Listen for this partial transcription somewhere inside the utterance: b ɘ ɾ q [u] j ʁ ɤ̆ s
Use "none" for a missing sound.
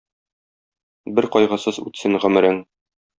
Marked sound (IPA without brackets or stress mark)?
ɒ